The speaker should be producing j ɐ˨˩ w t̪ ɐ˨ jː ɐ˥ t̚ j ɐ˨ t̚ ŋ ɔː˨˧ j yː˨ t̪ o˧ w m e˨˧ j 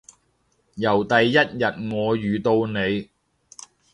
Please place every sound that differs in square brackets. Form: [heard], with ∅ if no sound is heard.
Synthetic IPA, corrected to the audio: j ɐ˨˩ w t̪ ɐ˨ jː ɐ˥ t̚ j ɐ˨ t̚ ŋ ɔː˨˧ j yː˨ t̪ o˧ w [n] e˨˧ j